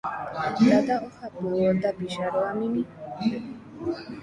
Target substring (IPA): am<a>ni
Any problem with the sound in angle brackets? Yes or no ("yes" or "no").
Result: yes